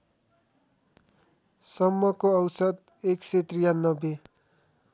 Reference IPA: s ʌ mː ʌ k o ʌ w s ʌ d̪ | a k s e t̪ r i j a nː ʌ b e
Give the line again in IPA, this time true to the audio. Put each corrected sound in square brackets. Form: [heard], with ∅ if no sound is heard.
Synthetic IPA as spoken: s ʌ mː ʌ k o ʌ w s ʌ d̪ | [e] k s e t̪ r i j a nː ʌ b e